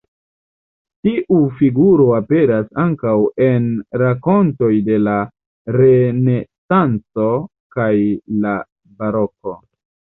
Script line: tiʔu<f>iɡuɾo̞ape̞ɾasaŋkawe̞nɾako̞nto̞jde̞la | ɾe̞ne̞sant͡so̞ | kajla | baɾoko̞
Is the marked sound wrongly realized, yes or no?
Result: no